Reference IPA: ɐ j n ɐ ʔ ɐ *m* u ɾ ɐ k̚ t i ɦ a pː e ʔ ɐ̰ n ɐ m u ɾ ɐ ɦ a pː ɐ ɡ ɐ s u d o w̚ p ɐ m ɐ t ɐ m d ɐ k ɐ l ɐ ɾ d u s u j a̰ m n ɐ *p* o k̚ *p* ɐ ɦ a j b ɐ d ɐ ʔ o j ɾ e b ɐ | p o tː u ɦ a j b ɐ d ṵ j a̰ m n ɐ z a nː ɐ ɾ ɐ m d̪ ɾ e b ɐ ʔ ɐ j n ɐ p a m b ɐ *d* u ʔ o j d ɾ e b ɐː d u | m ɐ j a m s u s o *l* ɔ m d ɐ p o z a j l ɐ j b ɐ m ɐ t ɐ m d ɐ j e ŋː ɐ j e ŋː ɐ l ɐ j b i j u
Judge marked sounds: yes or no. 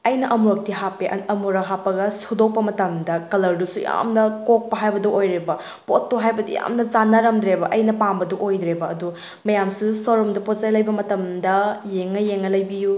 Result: yes, no, yes, yes, no

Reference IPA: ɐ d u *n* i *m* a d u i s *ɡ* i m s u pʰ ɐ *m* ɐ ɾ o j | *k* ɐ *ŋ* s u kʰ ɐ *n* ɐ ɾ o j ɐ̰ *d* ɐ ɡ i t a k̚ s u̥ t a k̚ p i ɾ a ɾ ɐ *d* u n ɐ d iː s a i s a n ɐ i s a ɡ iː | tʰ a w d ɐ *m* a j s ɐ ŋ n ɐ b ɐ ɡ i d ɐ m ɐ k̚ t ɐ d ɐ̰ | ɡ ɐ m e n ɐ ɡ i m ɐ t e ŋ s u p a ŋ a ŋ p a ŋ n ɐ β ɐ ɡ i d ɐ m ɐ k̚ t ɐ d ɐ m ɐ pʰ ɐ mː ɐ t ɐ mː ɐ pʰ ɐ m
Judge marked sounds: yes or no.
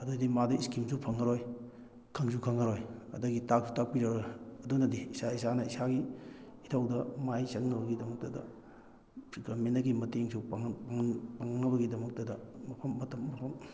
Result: no, yes, no, no, no, yes, no, yes, yes, yes

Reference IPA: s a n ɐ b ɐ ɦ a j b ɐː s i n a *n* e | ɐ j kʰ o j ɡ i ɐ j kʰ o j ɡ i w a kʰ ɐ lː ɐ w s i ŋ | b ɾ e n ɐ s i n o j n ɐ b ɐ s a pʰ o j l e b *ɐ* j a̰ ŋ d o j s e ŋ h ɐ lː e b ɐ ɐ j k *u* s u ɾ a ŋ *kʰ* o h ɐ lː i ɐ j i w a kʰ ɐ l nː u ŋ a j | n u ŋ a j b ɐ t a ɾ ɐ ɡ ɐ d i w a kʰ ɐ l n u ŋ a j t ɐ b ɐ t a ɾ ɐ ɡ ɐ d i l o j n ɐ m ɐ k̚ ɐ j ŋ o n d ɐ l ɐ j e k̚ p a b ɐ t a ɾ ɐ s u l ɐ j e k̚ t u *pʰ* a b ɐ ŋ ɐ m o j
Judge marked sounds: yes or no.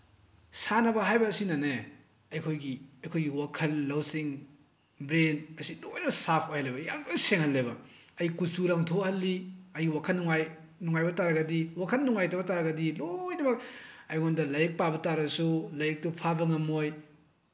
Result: yes, yes, yes, no, yes

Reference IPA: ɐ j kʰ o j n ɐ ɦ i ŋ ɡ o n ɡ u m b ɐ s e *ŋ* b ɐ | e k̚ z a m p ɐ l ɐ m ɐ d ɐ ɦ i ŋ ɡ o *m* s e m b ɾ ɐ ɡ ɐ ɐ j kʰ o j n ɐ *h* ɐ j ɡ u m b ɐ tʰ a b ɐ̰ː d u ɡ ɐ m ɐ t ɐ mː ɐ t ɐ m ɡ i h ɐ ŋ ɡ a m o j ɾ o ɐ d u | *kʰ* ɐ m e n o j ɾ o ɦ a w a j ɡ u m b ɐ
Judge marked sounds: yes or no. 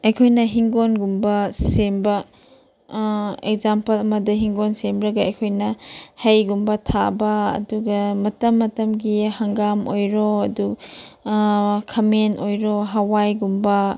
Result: no, no, yes, yes

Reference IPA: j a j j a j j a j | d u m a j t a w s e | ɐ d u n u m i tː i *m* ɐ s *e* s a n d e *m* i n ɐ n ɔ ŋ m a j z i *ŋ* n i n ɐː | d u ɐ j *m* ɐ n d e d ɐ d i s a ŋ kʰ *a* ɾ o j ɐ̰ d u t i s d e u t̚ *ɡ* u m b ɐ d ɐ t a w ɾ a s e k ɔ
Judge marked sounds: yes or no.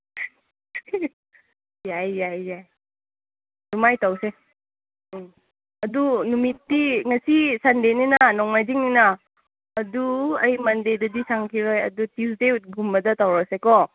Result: no, no, no, yes, yes, no, yes

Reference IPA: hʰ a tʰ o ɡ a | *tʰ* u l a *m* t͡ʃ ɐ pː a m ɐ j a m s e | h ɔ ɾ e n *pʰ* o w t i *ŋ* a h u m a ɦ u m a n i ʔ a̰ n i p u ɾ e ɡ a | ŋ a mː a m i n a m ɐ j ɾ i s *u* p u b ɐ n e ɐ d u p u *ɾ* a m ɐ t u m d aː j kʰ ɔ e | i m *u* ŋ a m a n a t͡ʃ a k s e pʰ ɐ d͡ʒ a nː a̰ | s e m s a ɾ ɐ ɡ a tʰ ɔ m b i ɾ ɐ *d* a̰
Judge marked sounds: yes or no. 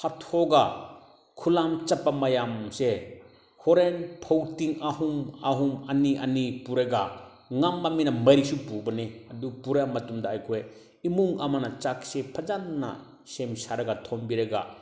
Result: no, yes, yes, yes, yes, yes, yes, no

